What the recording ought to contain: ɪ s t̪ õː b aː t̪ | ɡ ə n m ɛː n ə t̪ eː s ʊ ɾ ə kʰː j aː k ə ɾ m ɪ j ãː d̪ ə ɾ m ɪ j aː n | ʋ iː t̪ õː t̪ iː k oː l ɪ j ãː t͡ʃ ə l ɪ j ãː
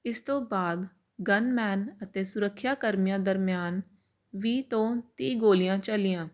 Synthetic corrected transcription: ɪ s t̪ õː b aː d̪ | ɡ ə n m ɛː n ə t̪ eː s ʊ ɾ ə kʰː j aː k ə ɾ m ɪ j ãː d̪ ə ɾ m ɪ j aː n | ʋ iː t̪ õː t̪ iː ɡ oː l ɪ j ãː t͡ʃ ə l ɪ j ãː